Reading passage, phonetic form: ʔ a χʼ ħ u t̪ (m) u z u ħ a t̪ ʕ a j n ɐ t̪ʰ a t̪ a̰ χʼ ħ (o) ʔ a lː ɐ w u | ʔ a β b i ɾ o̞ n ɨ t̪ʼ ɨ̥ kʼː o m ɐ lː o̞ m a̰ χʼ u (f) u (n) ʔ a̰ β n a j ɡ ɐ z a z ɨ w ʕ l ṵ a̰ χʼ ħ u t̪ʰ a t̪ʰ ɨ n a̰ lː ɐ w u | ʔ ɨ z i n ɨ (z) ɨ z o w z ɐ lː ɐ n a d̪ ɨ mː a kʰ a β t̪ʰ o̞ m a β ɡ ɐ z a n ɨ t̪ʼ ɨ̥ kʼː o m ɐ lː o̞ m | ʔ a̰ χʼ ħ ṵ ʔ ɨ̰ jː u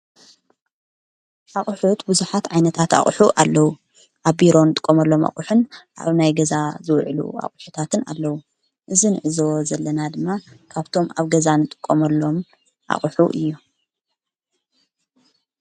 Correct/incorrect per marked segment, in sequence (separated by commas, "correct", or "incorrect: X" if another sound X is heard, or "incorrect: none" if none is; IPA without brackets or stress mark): incorrect: b, incorrect: u, incorrect: ħ, correct, incorrect: ʕ